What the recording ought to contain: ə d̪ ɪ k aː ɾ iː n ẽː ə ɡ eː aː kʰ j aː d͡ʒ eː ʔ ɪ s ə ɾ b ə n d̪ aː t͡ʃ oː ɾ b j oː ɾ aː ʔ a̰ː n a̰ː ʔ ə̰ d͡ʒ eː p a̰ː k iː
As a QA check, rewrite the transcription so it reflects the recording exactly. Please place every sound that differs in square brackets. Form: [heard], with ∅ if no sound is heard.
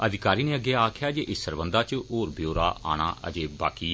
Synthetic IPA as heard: ə d̪ ɪ k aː ɾ iː n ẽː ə ɡ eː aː kʰ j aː d͡ʒ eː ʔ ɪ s ə ɾ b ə n d̪ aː t͡ʃ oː ɾ b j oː ɾ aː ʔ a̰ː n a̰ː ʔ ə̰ d͡ʒ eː [b] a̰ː k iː